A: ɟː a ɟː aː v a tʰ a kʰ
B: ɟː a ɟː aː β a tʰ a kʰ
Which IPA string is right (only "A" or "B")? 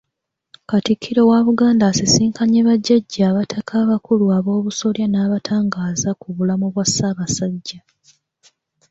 B